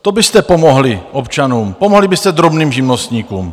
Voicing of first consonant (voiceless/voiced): voiceless